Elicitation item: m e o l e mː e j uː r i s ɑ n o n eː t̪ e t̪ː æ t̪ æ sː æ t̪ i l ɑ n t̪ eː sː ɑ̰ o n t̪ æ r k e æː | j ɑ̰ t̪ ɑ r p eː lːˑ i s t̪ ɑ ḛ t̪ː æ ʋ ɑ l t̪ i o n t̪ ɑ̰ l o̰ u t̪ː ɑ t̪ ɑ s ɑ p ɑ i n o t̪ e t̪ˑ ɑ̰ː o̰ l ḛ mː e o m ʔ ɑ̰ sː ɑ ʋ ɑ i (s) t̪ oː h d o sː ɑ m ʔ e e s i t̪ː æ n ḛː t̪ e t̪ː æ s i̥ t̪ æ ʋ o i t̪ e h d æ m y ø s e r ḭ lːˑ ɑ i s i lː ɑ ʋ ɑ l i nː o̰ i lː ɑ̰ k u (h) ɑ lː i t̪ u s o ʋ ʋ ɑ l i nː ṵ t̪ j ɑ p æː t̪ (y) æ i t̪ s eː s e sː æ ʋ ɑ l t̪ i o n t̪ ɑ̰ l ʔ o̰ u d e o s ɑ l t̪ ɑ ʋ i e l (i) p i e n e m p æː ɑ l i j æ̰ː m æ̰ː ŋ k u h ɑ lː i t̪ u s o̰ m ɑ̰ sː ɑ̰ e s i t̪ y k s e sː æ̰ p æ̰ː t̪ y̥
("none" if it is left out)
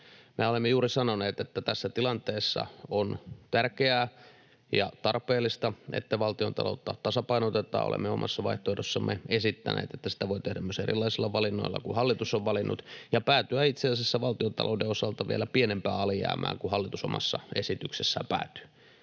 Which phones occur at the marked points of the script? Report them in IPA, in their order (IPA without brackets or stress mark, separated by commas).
h, h, y, æ